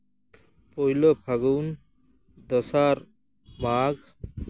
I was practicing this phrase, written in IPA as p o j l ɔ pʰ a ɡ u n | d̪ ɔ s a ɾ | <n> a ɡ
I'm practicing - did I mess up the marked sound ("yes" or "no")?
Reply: yes